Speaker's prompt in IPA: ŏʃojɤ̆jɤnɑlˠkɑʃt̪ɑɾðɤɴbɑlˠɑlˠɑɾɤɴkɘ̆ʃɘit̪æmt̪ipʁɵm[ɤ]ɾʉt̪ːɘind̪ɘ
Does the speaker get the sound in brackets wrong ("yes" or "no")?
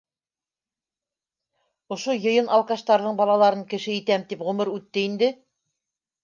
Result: no